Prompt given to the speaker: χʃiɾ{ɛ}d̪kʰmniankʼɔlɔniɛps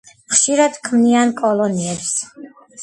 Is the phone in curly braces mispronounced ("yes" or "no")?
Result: yes